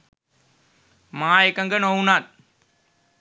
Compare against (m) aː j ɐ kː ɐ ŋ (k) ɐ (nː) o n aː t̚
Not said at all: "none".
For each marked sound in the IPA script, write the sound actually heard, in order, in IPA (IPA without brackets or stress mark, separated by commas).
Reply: m, ɡ, n